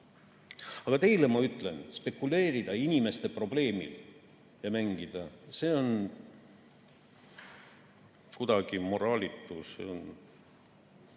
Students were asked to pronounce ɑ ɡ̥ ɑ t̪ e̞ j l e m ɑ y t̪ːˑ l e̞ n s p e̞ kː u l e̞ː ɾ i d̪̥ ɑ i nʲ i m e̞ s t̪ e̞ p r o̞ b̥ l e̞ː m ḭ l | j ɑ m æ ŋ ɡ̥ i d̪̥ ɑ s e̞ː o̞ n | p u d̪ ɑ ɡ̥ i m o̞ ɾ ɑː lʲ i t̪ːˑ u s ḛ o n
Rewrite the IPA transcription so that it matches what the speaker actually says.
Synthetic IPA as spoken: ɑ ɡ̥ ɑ t̪ e̞ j l e m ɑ y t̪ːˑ l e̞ n s p e̞ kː u l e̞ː ɾ i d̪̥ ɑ i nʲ i m e̞ s t̪ e̞ p r o̞ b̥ l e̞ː m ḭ l | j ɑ m æ ŋ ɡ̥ i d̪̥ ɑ s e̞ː o̞ n | k u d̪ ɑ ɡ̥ i m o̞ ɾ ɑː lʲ i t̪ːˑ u s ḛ o n